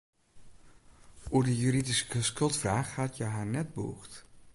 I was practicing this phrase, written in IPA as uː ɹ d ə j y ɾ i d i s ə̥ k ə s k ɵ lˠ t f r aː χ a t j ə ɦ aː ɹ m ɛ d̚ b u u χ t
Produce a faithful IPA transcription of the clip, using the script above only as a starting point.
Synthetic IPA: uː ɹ d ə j y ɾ i d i s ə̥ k ə s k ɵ lˠ t f r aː χ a t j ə ɦ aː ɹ n ɛ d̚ b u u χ t